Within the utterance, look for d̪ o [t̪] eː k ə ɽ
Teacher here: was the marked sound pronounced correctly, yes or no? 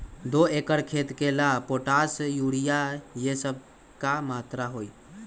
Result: no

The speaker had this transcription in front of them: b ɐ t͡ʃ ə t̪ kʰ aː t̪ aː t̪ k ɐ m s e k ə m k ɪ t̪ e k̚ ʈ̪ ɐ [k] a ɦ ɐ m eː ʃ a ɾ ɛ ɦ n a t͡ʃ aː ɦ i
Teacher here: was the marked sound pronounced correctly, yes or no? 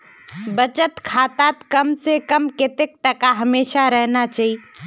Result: yes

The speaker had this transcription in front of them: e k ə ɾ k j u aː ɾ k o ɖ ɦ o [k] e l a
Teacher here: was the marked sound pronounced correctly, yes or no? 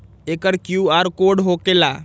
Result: yes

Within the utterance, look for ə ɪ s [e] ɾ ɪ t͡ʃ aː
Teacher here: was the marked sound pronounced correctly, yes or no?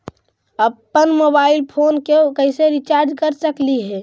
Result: yes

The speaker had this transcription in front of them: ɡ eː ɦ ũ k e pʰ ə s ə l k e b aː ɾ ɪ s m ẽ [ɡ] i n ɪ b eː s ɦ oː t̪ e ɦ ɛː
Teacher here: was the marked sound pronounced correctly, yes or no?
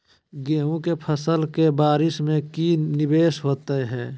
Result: no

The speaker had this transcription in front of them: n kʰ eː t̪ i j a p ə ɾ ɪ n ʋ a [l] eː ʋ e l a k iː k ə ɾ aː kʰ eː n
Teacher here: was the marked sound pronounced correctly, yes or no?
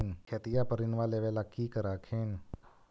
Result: yes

